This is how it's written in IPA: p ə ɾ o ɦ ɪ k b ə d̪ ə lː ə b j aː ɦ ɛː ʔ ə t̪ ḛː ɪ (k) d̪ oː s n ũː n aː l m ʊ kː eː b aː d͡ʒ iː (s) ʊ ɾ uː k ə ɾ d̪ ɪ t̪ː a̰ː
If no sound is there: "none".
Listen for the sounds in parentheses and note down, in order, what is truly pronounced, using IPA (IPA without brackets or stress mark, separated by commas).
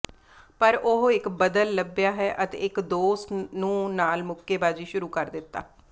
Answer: k, ʃ